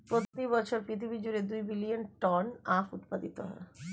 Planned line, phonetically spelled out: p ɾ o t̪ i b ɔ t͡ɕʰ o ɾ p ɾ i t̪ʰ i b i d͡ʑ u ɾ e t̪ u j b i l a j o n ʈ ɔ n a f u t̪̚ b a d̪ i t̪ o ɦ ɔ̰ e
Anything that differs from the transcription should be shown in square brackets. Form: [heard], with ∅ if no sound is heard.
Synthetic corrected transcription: p ɾ o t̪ i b ɔ t͡ɕʰ o ɾ p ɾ i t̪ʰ i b i d͡ʑ u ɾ e [d̪] u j b i l [i] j o n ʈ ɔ n a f u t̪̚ [p] a d̪ i t̪ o ɦ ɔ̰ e